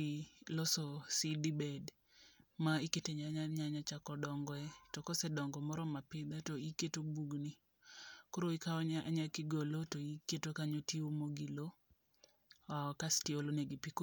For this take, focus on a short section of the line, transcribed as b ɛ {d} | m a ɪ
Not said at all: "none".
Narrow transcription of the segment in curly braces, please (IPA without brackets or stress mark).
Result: d